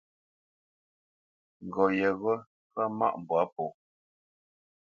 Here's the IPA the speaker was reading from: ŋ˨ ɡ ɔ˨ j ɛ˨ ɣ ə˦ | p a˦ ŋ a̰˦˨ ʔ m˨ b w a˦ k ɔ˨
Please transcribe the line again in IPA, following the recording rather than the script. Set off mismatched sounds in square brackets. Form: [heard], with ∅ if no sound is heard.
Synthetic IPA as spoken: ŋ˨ ɡ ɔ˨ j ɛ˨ ɣ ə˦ | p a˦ [m] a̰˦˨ ʔ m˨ b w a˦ [p] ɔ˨